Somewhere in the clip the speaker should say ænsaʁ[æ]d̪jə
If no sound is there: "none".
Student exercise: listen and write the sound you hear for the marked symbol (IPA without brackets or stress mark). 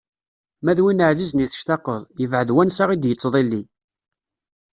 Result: i